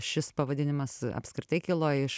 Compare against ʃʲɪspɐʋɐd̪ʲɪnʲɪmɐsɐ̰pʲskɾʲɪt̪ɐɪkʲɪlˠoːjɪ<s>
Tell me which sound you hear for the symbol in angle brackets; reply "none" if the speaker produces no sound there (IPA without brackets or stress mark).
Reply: ʃ